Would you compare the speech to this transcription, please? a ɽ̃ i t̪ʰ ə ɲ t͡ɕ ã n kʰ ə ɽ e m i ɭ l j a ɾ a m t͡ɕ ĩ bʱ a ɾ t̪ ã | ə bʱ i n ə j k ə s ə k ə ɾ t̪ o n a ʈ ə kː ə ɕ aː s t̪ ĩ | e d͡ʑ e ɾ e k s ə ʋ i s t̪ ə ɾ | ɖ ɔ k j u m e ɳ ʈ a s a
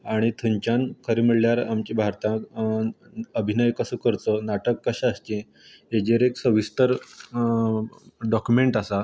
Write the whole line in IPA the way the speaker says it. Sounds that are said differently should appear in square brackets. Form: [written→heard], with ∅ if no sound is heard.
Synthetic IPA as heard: a ɽ̃ i t̪ʰ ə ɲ t͡ɕ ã n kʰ ə [ɽ→ɾ] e m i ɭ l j a ɾ a m t͡ɕ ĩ bʱ a ɾ t̪ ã | ə bʱ i n ə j k ə s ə k ə ɾ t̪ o n a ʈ ə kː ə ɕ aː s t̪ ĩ | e d͡ʑ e ɾ e k s ə ʋ i s t̪ ə ɾ | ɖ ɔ k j u m e ɳ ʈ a s a